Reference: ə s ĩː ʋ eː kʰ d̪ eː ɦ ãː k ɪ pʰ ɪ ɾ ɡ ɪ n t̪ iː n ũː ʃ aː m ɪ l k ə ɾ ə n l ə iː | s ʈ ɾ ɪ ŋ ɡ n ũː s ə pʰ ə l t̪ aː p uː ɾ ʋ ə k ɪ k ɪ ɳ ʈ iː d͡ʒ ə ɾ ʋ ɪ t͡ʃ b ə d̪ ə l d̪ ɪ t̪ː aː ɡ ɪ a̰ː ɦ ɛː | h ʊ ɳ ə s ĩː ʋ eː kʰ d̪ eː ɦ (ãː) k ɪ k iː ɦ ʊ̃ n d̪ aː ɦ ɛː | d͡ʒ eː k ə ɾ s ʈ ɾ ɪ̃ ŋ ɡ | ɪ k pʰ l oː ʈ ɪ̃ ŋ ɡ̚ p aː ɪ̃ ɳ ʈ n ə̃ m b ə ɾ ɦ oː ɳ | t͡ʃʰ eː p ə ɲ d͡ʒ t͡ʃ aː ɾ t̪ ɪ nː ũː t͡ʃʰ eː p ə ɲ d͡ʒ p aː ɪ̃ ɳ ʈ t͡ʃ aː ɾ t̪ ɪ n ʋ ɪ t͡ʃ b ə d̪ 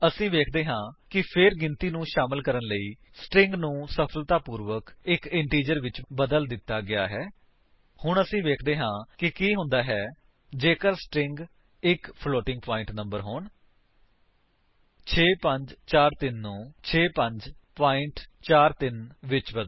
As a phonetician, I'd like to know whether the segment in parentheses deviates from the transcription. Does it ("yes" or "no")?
no